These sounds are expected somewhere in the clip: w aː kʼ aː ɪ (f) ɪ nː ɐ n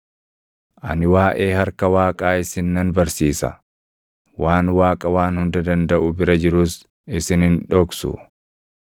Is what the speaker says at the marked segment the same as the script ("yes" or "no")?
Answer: no